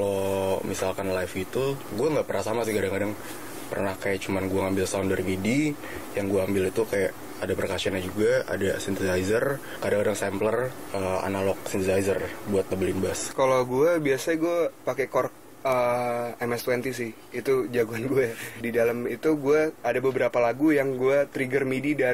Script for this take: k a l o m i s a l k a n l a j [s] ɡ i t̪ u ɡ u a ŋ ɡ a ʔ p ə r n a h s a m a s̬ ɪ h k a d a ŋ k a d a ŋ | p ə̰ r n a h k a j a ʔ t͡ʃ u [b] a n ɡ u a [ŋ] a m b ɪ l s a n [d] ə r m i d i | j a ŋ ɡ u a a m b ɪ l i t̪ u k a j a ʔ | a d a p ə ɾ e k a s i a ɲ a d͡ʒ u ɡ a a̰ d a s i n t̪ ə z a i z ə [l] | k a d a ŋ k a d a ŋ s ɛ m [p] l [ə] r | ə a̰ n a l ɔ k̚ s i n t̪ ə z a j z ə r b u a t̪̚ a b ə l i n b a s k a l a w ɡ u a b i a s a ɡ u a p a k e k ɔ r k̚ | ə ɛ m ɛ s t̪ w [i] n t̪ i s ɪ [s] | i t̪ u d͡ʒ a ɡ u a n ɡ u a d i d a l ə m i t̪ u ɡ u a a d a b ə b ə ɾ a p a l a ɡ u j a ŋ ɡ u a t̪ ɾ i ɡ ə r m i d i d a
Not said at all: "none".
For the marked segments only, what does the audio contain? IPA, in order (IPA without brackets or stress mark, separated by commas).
f, m, ŋ, d, r, p, ə, ɛ, h